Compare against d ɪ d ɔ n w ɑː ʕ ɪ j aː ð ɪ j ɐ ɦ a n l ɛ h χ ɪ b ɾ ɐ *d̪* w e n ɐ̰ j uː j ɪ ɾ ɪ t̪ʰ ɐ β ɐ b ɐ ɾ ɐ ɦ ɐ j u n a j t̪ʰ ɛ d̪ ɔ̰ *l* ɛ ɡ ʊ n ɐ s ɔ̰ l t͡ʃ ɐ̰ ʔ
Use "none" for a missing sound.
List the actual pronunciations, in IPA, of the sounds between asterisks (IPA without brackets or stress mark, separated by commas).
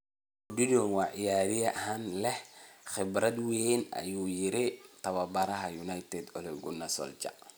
d̪, l